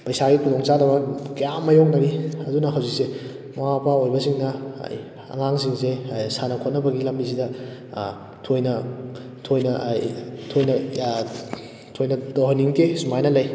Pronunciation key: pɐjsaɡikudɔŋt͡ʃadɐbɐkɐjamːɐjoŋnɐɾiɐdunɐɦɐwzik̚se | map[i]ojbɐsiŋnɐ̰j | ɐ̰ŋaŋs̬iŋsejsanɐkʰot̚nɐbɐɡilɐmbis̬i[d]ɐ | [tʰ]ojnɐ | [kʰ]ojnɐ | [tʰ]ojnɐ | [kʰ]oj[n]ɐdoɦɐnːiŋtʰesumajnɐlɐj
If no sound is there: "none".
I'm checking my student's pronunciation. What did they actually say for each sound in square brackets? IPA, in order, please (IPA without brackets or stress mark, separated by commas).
a, d, tʰ, tʰ, tʰ, tʰ, n